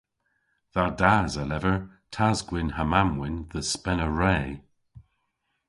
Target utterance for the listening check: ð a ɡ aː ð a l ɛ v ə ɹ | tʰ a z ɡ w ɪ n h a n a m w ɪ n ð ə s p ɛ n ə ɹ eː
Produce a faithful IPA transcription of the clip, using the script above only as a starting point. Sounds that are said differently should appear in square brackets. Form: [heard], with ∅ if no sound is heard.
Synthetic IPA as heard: ð a [d] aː [z] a l ɛ v ə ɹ | tʰ a z ɡ w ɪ n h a [m] a m w ɪ n ð ə s p ɛ n ə ɹ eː